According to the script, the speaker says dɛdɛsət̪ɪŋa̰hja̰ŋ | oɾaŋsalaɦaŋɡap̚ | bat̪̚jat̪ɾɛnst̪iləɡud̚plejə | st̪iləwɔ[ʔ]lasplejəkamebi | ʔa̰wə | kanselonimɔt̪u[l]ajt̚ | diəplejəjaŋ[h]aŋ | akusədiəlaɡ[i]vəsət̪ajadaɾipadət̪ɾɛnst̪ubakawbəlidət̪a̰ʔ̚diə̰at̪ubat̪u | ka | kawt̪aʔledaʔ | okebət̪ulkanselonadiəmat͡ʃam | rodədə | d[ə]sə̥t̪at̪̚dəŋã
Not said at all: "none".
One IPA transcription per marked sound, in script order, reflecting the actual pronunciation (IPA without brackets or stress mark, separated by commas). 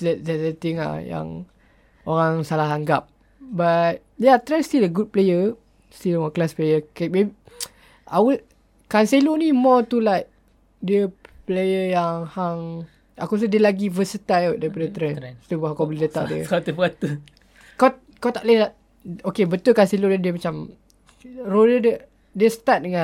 k, l, h, i, ə